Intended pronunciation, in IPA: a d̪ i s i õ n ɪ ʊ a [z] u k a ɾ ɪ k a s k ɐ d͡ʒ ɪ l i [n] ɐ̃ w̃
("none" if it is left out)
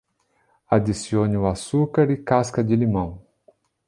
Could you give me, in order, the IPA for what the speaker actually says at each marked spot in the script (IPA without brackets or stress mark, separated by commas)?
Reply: s, m